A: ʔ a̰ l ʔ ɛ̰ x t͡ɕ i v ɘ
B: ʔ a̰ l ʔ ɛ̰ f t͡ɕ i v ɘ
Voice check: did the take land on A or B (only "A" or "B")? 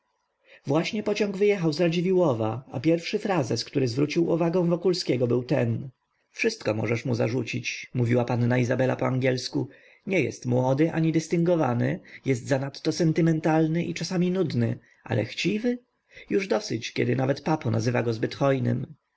A